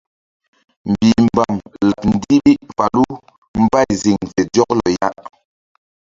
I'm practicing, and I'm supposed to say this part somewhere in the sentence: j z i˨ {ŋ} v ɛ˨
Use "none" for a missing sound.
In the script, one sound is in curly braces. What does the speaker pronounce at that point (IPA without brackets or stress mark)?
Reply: ŋ